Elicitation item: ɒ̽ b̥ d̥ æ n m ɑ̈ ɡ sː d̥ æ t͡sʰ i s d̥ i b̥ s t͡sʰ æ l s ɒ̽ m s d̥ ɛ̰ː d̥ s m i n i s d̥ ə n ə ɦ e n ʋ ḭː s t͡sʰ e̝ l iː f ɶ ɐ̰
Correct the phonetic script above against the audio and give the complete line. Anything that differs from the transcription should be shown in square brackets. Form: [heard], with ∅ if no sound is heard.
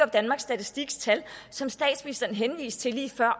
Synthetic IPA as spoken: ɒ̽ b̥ d̥ æ n m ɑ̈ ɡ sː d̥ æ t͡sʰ i s d̥ i [ɡ̥] s t͡sʰ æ l s ɒ̽ m s d̥ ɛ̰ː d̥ s m i n i s d̥ [ɐ] n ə ɦ e n ʋ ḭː s t͡sʰ e̝ l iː f ɶ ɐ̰